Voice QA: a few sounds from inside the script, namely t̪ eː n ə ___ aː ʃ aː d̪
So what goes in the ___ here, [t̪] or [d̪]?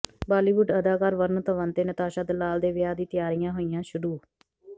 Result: t̪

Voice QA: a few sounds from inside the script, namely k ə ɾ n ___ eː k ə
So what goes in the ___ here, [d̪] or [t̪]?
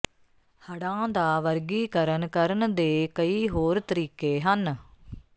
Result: d̪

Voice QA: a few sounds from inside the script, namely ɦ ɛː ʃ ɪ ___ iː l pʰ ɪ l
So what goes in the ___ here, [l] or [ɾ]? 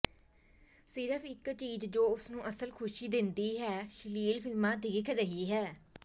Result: l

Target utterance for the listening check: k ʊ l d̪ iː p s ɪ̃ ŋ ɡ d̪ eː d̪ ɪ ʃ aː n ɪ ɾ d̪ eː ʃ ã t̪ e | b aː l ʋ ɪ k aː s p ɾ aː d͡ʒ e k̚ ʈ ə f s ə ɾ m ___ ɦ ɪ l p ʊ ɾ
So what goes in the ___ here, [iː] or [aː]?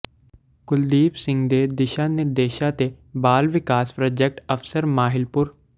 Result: aː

